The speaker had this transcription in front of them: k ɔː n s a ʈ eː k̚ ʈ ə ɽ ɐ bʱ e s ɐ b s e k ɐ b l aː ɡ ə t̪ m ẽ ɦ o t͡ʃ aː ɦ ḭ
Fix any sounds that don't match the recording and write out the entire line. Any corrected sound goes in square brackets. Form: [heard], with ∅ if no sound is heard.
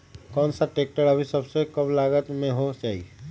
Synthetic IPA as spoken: k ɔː n s a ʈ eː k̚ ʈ ə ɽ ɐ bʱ [i] s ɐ b s e k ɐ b l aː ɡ ə t̪ m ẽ ɦ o t͡ʃ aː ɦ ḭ